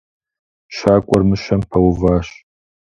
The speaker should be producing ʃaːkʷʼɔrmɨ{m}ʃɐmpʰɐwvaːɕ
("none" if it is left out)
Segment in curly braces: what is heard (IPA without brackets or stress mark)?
none